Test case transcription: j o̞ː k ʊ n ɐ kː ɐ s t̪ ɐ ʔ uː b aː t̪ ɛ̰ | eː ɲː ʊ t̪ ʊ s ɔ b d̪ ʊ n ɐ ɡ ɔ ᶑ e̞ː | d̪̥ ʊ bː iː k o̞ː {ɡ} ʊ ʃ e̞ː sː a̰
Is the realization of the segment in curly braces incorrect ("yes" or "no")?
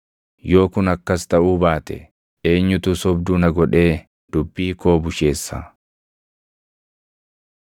yes